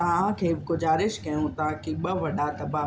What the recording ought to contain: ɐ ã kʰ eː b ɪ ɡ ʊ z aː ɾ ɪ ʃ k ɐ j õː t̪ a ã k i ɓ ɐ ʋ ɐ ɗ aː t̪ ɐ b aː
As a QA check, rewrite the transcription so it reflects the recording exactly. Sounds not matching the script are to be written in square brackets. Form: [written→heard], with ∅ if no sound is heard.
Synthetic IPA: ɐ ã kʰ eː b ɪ ɡ ʊ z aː ɾ ɪ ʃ k ɐ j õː t̪ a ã k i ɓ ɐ ʋ ɐ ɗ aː t̪ ɐ b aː